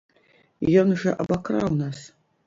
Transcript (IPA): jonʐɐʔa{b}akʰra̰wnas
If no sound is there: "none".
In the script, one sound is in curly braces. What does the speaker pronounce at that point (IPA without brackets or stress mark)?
b